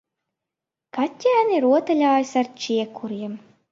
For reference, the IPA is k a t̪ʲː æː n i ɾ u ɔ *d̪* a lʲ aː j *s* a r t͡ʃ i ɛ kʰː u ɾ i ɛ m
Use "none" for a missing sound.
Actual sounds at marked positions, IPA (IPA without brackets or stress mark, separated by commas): t̪, s